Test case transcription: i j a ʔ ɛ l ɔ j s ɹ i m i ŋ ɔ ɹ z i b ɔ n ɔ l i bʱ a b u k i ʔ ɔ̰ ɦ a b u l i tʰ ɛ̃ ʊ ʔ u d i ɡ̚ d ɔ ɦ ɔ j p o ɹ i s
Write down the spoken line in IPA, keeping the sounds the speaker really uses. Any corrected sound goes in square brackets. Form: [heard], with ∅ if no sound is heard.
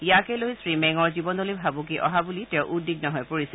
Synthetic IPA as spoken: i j a [k] ɛ l [o] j s ɹ i m [ɛ] ŋ ɔ ɹ z i b ɔ n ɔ l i bʱ a b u k i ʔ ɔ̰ ɦ a b u l i [t] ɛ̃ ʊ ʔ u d i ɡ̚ [n] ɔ ɦ ɔ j p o ɹ i s